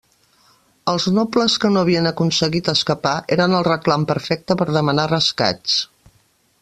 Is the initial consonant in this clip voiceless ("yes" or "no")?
no